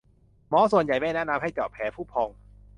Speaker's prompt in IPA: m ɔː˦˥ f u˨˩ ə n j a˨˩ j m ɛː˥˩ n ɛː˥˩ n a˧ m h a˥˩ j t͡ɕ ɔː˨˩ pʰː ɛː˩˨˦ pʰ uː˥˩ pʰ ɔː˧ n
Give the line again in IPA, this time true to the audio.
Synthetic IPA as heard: m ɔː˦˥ s u˨˩ ə n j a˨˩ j m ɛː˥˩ n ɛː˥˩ n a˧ m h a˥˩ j t͡ɕ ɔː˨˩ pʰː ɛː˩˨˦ pʰ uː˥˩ pʰ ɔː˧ ŋ